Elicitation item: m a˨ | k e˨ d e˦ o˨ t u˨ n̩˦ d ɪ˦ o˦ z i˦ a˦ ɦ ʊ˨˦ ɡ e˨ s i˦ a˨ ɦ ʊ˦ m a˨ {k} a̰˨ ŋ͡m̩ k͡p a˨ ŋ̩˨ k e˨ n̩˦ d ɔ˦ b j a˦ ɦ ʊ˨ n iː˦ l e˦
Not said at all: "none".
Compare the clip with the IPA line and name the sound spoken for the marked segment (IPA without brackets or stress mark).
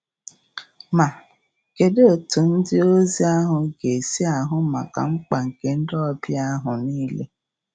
k